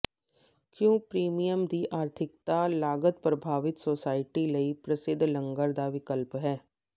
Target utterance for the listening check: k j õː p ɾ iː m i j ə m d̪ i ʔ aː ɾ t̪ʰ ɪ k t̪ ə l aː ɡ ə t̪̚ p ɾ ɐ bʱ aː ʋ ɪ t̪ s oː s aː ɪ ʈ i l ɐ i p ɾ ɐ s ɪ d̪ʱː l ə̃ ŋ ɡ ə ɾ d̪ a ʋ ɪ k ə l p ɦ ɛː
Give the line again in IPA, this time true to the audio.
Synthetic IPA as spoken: k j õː p ɾ iː m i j ə m d̪ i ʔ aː ɾ t̪ʰ ɪ k t̪ a l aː ɡ ə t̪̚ p ɾ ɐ bʱ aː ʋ ɪ t̪ s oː s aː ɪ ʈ i l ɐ i p ɾ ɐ s ɪ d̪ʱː l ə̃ ŋ ɡ ə ɾ d̪ a ʋ ɪ k ə l p ɦ ɛː

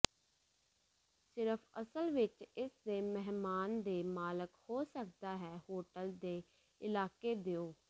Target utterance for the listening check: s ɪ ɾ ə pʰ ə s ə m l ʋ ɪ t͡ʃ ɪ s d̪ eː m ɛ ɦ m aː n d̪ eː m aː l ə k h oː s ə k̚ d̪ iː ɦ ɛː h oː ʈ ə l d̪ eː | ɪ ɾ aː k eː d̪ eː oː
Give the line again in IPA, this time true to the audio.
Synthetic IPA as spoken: s ɪ ɾ ə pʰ ə s ə l ʋ ɪ t͡ʃ ɪ s d̪ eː m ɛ ɦ m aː n d̪ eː m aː l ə k h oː s ə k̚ d̪ aː ɦ ɛː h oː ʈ ə l d̪ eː | ɪ l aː k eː d̪ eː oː

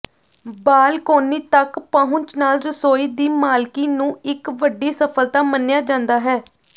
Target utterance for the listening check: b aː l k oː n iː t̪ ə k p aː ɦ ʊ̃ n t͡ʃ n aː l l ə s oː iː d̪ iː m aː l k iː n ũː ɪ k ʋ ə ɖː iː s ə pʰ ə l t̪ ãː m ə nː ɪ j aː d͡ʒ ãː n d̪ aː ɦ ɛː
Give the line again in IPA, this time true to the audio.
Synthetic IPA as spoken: b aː l k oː n iː t̪ ə k p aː ɦ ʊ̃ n t͡ʃ n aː l ɾ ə s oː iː d̪ iː m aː l k iː n ũː ɪ k ʋ ə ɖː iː s ə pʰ ə l t̪ aː m ə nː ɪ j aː d͡ʒ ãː n d̪ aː ɦ ɛː

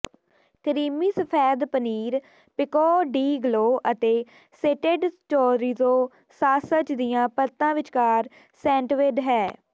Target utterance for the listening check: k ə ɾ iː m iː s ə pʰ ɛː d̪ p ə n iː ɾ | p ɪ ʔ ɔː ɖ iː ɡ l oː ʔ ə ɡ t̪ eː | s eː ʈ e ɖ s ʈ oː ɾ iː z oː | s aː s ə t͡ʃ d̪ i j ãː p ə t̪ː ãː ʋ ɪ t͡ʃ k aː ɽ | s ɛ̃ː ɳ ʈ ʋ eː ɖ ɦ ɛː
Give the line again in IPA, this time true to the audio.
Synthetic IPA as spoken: k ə ɾ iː m iː s ə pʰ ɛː d̪ p ə n iː ɾ | p ɪ k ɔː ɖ iː ɡ l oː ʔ ə t̪ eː | s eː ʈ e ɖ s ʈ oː ɾ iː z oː | s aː s ə t͡ʃ d̪ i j ãː p ə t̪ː ãː ʋ ɪ t͡ʃ k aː ɾ | s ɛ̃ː ɳ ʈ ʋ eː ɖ ɦ ɛː

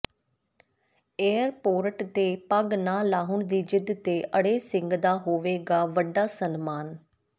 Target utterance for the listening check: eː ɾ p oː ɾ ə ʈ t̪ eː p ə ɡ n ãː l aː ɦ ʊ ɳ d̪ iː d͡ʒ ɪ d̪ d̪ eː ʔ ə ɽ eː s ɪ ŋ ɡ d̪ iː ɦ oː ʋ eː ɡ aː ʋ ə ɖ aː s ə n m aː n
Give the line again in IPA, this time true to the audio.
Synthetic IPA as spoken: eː ɾ p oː ɾ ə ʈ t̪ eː p ə ɡ n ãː l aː ɦ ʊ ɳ d̪ iː d͡ʒ ɪ d̪ t̪ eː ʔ ə ɽ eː s ɪ ŋ ɡ d̪ aː ɦ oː ʋ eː ɡ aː ʋ ə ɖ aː s ə n m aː n

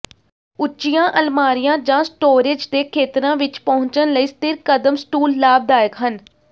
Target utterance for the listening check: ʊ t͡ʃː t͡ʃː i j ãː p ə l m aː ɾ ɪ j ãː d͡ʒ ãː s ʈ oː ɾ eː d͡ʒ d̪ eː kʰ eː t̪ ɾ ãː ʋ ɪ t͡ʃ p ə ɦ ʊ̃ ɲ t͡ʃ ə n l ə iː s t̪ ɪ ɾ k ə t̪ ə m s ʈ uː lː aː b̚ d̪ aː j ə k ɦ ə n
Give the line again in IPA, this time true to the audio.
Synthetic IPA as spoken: ʊ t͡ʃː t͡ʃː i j ãː ʔ ə l m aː ɾ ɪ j ãː d͡ʒ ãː s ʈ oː ɾ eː d͡ʒ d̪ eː kʰ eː t̪ ɾ ãː ʋ ɪ t͡ʃ p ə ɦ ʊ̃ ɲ t͡ʃ ə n l ə iː s t̪ ɪ ɾ k ə d̪ ə m s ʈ uː lː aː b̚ d̪ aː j ə k ɦ ə n

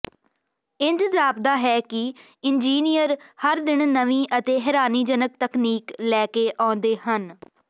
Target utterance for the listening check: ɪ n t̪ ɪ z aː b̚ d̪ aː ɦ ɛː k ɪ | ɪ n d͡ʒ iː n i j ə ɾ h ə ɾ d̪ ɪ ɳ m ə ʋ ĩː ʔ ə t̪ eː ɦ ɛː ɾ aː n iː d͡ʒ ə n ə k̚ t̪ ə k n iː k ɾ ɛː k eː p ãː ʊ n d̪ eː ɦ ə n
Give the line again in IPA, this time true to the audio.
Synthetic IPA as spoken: ɪ n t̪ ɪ z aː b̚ d̪ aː ɦ ɛː k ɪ | ɪ n d͡ʒ iː n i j ə ɾ h ə ɾ d̪ ɪ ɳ n ə ʋ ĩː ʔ ə t̪ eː ɦ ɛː ɾ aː n iː d͡ʒ ə n ə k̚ t̪ ə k n iː k l ɛː k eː ʔ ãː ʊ n d̪ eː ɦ ə n

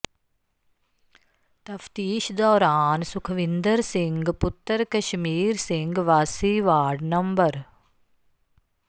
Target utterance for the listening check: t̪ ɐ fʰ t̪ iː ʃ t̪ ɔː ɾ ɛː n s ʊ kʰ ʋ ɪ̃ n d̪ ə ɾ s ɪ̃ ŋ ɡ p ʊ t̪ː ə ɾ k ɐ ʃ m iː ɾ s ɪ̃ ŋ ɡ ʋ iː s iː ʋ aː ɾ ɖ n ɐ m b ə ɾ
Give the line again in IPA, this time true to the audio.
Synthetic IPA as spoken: t̪ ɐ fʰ t̪ iː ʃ d̪ ɔː ɾ aː n s ʊ kʰ ʋ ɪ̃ n d̪ ə ɾ s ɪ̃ ŋ ɡ p ʊ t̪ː ə ɾ k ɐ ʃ m iː ɾ s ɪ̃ ŋ ɡ ʋ aː s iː ʋ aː ɾ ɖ n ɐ m b ə ɾ

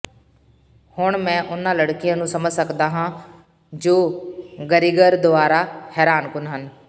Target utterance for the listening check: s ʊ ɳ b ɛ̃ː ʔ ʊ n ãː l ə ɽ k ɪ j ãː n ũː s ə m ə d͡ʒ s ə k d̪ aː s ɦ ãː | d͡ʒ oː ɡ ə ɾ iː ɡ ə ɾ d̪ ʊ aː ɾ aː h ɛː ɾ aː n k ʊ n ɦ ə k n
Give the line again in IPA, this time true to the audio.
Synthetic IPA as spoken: h ʊ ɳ m ɛ̃ː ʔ ʊ n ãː l ə ɽ k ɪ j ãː n ũː s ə m ə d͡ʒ s ə k d̪ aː ɦ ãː | d͡ʒ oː ɡ ə ɾ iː ɡ ə ɾ d̪ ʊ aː ɾ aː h ɛː ɾ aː n k ʊ n ɦ ə n

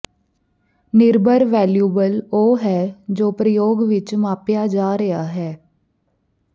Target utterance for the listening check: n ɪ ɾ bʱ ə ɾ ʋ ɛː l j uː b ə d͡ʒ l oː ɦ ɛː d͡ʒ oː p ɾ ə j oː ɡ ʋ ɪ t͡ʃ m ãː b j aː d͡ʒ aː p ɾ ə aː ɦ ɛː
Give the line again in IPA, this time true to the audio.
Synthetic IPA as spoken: n ɪ ɾ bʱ ə ɾ ʋ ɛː l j uː b ə l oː ɦ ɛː d͡ʒ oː p ɾ ə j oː ɡ ʋ ɪ t͡ʃ m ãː p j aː d͡ʒ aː ɾ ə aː ɦ ɛː

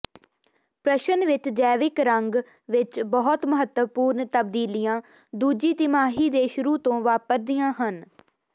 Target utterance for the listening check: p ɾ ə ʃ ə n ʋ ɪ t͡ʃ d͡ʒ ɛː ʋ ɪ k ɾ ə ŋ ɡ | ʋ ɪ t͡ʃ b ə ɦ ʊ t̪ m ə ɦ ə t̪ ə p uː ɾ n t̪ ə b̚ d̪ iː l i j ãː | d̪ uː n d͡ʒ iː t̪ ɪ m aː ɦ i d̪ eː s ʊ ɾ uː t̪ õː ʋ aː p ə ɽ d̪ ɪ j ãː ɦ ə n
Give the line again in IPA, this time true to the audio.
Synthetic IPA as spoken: p ɾ ə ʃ ə n ʋ ɪ t͡ʃ d͡ʒ ɛː ʋ ɪ k ɾ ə ŋ ɡ | ʋ ɪ t͡ʃ b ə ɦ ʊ t̪ m ə ɦ ə t̪ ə p uː ɾ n t̪ ə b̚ d̪ iː l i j ãː | d̪ uː d͡ʒ iː t̪ ɪ m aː ɦ iː d̪ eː ʃ ʊ ɾ uː t̪ õː ʋ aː p ə ɾ d̪ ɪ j ãː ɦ ə n

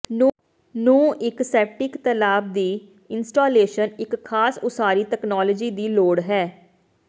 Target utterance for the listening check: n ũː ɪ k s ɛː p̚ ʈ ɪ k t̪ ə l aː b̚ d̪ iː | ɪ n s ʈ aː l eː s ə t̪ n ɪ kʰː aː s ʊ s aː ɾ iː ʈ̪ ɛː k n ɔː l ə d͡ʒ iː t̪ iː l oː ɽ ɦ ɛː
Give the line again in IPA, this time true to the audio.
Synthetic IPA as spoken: n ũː ɪ k s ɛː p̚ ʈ ɪ k t̪ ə l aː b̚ d̪ iː | ɪ n s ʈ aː l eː ʃ ə n ɪ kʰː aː s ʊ s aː ɾ iː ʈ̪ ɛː k n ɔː l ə d͡ʒ iː d̪ iː l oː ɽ ɦ ɛː

